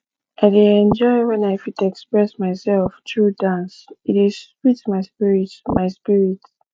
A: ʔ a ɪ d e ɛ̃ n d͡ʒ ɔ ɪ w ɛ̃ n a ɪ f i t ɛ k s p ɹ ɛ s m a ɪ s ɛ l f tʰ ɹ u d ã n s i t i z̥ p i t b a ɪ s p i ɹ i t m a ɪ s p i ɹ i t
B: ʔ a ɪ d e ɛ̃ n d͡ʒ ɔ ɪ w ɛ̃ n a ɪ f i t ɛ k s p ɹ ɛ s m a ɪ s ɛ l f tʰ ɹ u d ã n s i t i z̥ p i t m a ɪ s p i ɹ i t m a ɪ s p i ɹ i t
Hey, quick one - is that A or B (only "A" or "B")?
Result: B